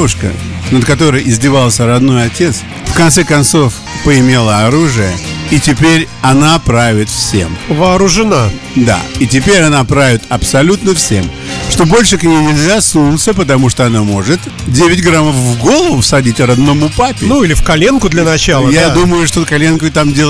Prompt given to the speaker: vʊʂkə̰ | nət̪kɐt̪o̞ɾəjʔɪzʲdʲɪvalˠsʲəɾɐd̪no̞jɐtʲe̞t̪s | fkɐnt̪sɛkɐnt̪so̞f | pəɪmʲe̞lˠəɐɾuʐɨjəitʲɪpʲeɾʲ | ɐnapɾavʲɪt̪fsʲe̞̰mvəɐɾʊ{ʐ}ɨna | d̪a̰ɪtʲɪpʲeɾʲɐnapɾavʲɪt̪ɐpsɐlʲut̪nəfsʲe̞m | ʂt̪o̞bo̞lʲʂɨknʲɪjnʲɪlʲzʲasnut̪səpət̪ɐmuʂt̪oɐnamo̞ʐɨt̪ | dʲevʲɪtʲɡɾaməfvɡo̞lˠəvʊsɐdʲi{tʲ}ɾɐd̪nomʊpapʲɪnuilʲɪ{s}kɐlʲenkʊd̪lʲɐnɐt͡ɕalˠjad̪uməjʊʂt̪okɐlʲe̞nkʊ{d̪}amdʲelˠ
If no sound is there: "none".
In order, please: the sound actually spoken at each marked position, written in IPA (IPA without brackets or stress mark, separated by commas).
ʐ, tʲ, f, t̪